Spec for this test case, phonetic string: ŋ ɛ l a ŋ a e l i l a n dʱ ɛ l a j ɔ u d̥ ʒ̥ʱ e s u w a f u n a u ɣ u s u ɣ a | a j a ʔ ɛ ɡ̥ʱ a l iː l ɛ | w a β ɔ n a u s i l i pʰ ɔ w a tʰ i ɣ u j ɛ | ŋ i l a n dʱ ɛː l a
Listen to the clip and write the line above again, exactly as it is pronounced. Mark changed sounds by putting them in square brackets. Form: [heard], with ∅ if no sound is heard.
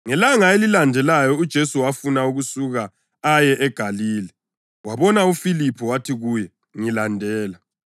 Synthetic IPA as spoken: ŋ ɛ l a ŋ a e l i l a n dʱ ɛ l a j ɔ u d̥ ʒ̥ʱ e s u w a f u n a u ɣ u s u ɣ a | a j [ɛ] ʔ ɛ ɡ̥ʱ a l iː l ɛ | w a β ɔ n a u [f] i l i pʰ ɔ w a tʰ i ɣ u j ɛ | ŋ i l a n dʱ ɛː l a